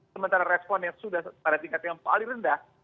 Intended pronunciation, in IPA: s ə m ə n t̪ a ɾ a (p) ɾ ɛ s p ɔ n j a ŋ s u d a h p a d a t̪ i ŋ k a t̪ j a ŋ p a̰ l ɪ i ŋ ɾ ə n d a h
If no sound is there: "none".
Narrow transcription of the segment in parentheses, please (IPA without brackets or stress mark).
none